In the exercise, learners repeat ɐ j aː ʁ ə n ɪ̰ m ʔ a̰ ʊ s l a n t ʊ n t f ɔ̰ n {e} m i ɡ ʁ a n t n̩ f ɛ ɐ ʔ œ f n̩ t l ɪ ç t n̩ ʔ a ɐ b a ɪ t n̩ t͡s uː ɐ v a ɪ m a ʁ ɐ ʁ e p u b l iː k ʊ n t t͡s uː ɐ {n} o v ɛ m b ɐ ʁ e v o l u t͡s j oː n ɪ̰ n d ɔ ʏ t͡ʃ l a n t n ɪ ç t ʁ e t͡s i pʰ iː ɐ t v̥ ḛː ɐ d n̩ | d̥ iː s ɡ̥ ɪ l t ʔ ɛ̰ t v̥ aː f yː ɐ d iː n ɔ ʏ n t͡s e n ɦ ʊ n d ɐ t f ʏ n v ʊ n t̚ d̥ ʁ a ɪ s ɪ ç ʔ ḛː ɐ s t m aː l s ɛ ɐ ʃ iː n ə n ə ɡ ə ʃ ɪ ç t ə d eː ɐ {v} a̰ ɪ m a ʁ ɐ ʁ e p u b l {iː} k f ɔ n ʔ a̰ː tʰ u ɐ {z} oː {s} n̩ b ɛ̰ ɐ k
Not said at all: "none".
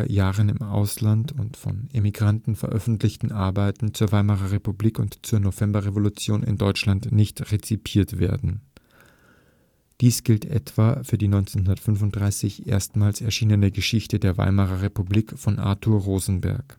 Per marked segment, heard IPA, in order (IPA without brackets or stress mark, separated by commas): e, n, v, iː, ʁ, z